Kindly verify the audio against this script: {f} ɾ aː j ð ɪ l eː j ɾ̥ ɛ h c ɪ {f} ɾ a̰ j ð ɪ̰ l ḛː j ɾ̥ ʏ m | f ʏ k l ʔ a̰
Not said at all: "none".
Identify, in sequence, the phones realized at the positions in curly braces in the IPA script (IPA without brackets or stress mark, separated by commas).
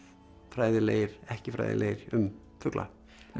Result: f, f